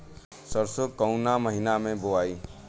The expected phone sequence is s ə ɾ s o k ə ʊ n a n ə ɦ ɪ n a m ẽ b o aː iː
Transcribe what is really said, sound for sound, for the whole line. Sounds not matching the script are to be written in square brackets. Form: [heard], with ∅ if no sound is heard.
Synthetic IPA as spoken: s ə ɾ s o k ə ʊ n a [m] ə ɦ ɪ n a m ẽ b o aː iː